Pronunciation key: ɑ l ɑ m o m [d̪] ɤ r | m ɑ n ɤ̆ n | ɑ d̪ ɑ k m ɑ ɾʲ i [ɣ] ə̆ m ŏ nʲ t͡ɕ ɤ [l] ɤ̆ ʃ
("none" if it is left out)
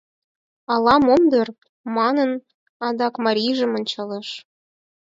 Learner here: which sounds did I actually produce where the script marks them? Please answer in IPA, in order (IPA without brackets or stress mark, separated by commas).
d̪, ʒ, l